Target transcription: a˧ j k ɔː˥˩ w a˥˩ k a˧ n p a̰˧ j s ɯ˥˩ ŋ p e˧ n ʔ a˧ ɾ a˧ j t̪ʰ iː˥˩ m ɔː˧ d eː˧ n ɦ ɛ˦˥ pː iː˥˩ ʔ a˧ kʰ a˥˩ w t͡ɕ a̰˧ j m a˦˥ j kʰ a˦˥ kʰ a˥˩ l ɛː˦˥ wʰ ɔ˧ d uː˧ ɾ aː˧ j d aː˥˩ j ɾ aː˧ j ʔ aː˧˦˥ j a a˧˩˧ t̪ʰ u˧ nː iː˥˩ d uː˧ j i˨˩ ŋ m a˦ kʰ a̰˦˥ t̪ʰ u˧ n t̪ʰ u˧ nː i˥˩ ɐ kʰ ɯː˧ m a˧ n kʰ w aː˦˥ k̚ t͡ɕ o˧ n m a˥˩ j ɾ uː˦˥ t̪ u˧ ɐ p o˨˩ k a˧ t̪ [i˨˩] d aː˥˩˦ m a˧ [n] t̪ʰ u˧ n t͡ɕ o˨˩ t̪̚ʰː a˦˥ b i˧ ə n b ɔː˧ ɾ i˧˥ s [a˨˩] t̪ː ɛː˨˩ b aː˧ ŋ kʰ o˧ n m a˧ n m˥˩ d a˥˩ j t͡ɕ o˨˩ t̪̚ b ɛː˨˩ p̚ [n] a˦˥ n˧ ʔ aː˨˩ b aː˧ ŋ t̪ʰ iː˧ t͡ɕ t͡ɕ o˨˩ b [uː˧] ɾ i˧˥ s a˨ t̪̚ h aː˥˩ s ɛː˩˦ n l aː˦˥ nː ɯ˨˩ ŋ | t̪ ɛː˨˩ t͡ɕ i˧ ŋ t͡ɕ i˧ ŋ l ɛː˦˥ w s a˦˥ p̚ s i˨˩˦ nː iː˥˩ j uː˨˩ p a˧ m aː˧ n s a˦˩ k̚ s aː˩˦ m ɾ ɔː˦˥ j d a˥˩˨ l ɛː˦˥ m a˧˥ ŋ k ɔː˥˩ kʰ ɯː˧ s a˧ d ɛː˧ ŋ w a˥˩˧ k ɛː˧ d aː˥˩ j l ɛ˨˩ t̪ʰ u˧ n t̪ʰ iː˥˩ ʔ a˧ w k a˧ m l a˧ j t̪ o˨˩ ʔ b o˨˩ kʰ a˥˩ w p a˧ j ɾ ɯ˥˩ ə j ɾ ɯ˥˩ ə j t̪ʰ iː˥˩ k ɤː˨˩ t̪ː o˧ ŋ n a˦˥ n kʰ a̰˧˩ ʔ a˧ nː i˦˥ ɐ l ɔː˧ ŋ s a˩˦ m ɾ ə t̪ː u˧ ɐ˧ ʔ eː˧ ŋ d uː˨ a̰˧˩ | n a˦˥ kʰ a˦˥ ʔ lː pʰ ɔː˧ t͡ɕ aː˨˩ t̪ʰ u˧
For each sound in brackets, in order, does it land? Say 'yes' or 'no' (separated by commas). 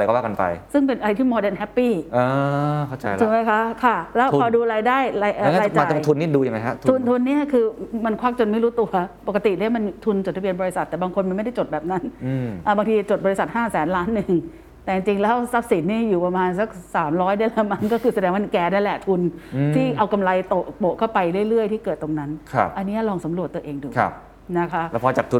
yes, yes, yes, yes, no